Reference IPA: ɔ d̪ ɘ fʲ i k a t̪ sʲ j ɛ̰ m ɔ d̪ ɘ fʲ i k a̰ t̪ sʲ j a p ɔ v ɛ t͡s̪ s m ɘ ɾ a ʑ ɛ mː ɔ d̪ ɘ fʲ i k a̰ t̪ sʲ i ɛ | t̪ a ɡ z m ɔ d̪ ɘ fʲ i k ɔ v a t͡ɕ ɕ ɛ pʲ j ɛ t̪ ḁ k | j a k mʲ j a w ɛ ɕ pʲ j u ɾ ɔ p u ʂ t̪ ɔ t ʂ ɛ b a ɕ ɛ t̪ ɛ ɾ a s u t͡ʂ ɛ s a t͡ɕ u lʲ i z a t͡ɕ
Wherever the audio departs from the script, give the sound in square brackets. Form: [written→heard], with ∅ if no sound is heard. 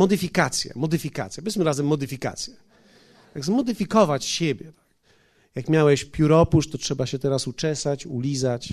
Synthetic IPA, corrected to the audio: ɔ d̪ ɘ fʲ i k a t̪ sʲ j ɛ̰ m ɔ d̪ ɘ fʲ i k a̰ t̪ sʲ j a p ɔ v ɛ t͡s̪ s m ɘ ɾ a [ʑ→z] ɛ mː ɔ d̪ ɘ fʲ i k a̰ t̪ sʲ [i→j] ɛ | t̪ a ɡ z m ɔ d̪ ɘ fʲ i k ɔ v a t͡ɕ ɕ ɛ [pʲ→bʲ] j ɛ t̪ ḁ k | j a k mʲ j a w ɛ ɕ pʲ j u ɾ ɔ p u ʂ t̪ ɔ t ʂ ɛ b a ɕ ɛ t̪ ɛ ɾ a s u t͡ʂ ɛ s a t͡ɕ u lʲ i z a t͡ɕ